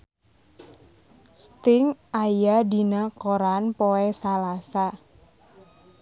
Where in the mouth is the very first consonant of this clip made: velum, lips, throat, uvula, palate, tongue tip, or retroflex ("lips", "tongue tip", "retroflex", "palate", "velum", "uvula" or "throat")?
tongue tip